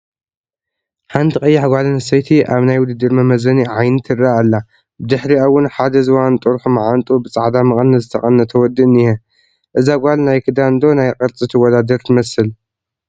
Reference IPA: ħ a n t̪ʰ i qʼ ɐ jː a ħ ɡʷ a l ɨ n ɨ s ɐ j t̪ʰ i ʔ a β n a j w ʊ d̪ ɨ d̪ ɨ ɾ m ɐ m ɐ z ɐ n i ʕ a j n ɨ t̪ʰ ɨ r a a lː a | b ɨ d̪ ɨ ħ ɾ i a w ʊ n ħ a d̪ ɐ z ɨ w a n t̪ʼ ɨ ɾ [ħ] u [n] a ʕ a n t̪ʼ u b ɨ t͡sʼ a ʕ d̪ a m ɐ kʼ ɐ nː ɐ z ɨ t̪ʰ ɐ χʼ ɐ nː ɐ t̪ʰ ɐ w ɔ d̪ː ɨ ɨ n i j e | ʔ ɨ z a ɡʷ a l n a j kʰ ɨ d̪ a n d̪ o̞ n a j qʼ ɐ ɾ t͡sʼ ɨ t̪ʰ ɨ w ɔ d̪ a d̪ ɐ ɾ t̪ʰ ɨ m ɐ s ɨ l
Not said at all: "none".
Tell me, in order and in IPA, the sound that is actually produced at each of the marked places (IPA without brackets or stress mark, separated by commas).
ħ, m